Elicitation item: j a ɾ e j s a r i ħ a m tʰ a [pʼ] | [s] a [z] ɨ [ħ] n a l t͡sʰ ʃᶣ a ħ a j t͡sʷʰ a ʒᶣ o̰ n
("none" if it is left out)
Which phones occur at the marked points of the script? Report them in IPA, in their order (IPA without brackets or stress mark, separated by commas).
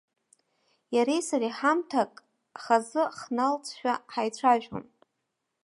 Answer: kʼ, χ, z, χ